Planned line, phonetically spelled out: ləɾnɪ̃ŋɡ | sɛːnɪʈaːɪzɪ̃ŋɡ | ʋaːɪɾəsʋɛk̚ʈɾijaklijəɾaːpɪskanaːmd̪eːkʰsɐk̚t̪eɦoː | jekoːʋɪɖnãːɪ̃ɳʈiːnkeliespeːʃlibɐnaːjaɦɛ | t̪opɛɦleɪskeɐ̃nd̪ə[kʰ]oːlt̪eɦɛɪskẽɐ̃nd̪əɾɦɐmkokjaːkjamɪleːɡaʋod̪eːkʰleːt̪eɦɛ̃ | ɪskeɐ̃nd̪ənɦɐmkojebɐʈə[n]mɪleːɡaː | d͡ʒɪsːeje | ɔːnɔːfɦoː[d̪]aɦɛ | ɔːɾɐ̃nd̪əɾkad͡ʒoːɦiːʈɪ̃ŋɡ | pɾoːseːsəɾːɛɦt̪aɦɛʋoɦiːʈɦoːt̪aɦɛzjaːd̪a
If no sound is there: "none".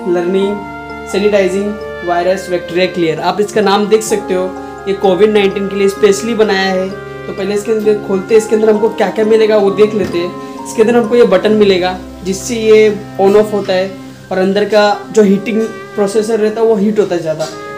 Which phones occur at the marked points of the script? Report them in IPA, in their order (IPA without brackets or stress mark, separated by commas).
kʰ, n, t̪